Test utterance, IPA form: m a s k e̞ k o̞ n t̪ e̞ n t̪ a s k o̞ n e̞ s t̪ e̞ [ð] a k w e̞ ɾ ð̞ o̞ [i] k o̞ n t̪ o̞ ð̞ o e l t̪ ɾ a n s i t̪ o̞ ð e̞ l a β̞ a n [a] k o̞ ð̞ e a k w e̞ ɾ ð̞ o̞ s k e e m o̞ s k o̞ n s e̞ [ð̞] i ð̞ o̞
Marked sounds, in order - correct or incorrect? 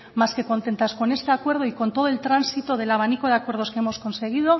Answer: incorrect: none, correct, incorrect: i, incorrect: ɣ̞

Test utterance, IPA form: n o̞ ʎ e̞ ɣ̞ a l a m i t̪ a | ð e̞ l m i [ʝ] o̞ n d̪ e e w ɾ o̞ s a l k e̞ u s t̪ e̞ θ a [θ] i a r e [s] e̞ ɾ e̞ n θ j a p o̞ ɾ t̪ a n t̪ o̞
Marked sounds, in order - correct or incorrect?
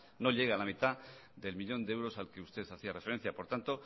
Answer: incorrect: ʎ, correct, incorrect: f

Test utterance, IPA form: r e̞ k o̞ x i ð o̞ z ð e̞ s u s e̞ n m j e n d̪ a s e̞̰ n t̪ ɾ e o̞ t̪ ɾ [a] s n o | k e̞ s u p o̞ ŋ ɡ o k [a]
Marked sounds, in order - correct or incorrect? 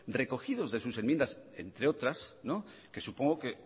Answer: correct, incorrect: e

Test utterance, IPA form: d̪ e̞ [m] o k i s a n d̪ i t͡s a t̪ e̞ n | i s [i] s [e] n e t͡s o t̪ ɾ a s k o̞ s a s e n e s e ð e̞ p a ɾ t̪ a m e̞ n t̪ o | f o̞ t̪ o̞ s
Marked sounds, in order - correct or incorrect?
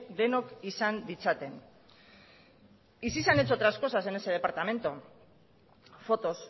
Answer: incorrect: n, correct, incorrect: a

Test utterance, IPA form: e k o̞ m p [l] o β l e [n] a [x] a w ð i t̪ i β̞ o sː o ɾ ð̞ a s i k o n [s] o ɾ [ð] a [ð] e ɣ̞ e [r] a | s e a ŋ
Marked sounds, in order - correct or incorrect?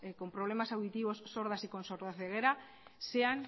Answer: incorrect: ɾ, incorrect: m, incorrect: s, correct, correct, incorrect: θ, incorrect: ɾ

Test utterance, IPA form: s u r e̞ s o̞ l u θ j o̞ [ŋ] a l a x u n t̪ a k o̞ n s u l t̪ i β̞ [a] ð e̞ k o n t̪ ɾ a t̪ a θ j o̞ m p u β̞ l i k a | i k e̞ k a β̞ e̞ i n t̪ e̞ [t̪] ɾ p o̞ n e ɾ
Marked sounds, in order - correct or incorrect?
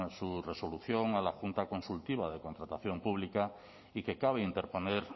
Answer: correct, correct, incorrect: none

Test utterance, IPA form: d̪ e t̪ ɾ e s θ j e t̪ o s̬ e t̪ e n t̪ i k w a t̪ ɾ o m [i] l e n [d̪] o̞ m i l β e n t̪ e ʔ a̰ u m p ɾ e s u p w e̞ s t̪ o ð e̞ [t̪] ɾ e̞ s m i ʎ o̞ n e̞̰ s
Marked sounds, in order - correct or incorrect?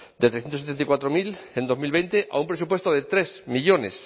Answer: correct, correct, correct

